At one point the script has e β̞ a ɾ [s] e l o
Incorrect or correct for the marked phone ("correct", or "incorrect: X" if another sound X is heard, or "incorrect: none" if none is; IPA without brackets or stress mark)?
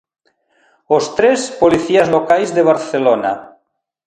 incorrect: θ